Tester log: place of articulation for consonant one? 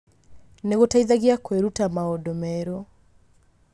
alveolar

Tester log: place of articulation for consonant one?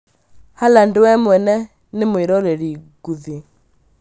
glottal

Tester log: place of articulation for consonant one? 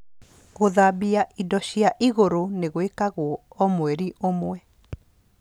velar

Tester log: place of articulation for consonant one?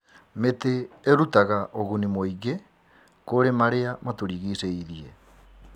labial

